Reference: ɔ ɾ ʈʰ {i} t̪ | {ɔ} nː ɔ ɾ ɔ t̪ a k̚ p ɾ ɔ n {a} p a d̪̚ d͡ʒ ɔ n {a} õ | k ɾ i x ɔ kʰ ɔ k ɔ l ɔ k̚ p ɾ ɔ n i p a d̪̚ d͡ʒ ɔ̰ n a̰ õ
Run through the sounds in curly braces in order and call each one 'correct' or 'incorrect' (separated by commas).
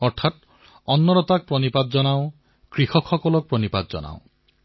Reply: incorrect, correct, incorrect, correct